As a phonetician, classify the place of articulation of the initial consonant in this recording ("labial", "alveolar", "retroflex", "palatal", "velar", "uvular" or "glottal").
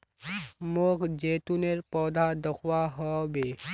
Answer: labial